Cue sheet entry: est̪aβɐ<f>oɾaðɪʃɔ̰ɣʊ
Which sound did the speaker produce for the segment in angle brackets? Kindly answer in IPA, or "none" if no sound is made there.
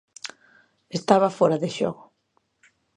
f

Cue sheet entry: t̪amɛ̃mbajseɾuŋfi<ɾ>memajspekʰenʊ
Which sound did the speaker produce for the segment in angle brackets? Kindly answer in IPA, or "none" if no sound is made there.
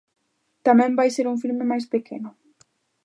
l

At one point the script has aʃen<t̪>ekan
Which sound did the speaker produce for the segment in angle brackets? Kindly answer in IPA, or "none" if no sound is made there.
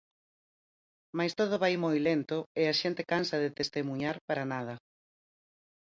t̪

